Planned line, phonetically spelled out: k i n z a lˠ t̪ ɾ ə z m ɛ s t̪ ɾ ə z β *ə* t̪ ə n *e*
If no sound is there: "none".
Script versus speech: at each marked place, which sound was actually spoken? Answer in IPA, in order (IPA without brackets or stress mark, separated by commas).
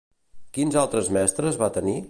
a, i